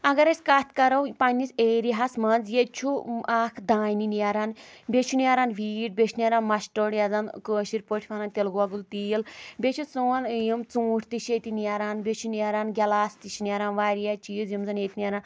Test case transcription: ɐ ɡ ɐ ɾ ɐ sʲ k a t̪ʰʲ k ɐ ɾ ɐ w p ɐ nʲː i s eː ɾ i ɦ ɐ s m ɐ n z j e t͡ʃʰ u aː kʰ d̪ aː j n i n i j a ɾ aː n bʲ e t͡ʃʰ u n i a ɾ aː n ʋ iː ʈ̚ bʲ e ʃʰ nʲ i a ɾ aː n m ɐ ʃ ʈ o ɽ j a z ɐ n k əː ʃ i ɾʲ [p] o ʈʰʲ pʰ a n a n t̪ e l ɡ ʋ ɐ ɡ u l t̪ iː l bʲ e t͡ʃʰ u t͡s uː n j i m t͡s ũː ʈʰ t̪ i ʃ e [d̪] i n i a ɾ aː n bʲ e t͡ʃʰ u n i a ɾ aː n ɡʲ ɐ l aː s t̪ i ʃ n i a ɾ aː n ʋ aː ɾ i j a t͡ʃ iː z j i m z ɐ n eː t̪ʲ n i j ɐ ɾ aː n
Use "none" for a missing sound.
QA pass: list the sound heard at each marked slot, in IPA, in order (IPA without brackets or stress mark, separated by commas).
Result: p, t̪